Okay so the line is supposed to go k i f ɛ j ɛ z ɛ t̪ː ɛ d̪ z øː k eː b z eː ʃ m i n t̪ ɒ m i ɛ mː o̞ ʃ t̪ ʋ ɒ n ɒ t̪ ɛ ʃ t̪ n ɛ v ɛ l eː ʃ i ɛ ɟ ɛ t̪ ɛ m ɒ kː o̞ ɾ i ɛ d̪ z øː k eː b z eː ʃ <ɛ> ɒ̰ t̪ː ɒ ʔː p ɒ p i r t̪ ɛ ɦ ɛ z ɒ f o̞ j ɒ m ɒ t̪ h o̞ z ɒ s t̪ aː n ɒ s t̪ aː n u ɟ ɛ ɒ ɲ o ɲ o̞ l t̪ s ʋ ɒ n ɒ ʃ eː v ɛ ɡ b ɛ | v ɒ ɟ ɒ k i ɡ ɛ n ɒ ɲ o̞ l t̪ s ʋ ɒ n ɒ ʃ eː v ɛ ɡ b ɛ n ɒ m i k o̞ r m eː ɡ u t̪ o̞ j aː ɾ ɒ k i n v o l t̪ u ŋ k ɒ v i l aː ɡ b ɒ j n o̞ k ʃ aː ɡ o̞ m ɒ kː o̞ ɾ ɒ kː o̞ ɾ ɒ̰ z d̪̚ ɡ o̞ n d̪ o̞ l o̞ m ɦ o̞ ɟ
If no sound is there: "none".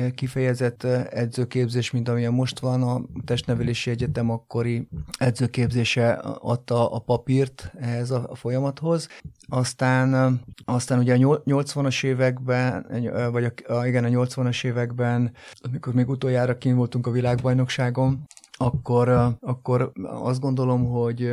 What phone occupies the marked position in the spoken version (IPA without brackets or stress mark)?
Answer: ɛ